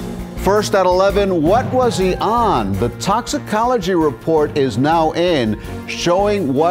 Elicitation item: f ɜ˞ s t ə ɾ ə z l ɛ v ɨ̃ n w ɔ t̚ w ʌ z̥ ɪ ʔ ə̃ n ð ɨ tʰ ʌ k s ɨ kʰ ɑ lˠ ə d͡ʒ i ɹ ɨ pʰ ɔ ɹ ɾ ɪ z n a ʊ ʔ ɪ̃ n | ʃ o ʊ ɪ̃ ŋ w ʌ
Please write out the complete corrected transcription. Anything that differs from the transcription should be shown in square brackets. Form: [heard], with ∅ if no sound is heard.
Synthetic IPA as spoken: f ɜ˞ s t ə ɾ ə [∅] l ɛ v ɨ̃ n w [ʌ] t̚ w ʌ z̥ [i] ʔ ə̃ n ð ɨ tʰ [ɑ] k s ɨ kʰ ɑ lˠ ə d͡ʒ i ɹ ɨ pʰ ɔ ɹ ɾ ɪ z n a ʊ ʔ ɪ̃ n | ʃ o ʊ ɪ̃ ŋ w ʌ